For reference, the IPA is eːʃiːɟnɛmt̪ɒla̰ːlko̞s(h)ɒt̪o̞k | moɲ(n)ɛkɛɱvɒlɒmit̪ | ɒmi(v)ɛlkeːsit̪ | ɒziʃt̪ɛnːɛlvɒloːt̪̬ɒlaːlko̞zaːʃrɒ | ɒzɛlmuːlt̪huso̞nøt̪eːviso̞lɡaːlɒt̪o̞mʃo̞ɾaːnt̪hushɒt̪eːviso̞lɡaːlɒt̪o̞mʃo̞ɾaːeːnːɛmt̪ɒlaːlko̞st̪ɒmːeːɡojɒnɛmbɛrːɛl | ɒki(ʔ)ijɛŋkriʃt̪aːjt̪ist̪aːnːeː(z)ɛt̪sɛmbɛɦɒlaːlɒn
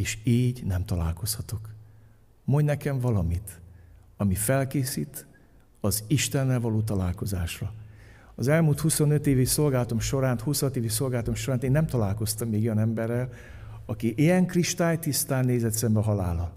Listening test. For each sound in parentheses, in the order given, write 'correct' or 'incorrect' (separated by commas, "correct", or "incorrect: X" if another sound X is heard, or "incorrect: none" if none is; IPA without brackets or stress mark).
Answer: correct, correct, incorrect: f, correct, correct